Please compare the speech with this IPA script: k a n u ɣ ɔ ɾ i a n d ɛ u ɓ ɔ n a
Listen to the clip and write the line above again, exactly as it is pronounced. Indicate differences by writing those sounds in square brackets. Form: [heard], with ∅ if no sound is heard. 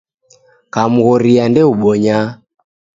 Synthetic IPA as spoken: k a [m] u ɣ ɔ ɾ i a n d ɛ u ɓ ɔ [ɲ] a